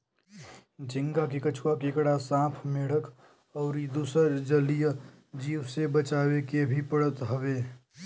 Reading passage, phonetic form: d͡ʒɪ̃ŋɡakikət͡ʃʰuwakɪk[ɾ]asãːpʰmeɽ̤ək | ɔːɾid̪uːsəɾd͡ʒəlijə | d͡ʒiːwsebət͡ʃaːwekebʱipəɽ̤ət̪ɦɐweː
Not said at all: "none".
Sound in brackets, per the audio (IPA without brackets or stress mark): ɽ